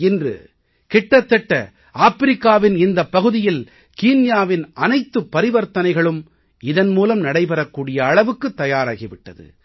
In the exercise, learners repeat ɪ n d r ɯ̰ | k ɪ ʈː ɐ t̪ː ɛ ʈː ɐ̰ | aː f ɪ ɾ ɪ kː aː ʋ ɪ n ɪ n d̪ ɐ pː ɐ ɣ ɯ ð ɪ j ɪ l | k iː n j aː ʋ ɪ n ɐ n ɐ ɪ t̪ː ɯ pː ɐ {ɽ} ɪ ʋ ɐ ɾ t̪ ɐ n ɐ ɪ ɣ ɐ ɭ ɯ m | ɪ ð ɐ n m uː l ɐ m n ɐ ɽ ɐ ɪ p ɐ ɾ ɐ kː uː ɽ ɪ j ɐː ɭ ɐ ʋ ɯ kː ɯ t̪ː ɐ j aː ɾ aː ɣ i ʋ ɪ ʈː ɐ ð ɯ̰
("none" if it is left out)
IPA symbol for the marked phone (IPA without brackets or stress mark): ɾ